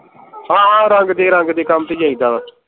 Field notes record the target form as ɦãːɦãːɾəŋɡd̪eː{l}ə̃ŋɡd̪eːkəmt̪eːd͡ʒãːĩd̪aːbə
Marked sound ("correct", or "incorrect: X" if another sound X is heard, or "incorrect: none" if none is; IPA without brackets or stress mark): incorrect: ɾ